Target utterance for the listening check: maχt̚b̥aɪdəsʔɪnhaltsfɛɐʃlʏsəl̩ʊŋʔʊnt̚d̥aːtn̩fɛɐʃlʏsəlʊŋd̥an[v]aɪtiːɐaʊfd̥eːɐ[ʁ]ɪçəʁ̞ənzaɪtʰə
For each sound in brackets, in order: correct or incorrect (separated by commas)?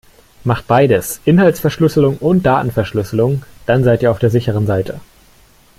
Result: incorrect, incorrect